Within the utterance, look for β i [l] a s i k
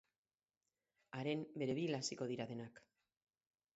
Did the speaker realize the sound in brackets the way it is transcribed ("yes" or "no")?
yes